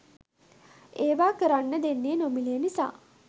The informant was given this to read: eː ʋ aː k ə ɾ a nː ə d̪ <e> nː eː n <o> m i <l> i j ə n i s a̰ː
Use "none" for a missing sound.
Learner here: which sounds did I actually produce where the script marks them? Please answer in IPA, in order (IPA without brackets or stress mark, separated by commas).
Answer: e, o, l